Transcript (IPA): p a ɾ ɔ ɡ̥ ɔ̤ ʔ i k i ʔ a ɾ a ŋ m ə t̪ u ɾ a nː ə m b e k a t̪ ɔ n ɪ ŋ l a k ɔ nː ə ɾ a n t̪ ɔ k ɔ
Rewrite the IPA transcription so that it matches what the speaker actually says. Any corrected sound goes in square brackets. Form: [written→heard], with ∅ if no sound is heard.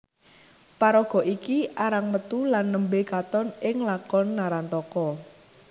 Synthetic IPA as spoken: p a ɾ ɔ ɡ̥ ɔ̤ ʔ i k i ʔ a ɾ a ŋ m ə t̪ u [ɾ→l] a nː ə m b e k a t̪ ɔ n ɪ ŋ l a k ɔ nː [ə→a] ɾ a n t̪ ɔ k ɔ